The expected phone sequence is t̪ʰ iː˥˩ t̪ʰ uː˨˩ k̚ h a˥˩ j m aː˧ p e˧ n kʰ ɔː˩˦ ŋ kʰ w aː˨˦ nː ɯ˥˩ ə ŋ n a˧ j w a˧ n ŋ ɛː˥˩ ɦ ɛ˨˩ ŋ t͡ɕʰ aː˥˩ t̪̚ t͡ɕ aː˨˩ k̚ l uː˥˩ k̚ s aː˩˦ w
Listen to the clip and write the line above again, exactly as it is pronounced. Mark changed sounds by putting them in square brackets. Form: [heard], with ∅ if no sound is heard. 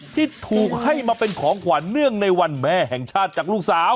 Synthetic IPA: t̪ʰ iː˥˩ t̪ʰ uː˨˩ k̚ h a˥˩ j m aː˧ p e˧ n kʰ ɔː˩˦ ŋ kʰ w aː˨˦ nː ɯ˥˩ ə ŋ n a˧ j w a˧ n [m] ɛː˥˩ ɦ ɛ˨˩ ŋ t͡ɕʰ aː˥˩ t̪̚ t͡ɕ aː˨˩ k̚ l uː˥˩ k̚ s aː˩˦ w